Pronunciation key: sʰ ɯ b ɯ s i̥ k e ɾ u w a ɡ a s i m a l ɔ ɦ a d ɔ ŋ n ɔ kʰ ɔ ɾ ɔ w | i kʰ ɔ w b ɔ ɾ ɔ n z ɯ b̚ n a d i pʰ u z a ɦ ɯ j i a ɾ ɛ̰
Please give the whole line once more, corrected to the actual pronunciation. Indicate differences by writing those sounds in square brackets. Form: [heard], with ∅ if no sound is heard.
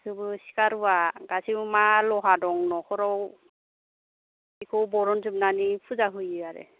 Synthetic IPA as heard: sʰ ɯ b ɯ s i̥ k [a] ɾ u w a ɡ a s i m a l ɔ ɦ a d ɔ ŋ n ɔ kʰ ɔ ɾ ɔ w | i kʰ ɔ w b ɔ ɾ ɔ n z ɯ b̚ n a [n] i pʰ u z a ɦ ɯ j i a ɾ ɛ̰